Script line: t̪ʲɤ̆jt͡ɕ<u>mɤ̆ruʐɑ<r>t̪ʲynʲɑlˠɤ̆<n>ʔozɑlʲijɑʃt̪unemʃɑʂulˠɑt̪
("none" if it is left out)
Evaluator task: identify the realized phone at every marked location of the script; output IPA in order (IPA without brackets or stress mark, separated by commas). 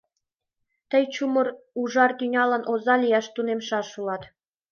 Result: u, r, n